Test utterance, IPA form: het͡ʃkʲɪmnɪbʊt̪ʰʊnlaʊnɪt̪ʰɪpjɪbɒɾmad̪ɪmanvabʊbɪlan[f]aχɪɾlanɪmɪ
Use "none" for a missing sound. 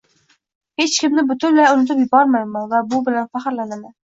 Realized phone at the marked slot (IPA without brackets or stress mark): f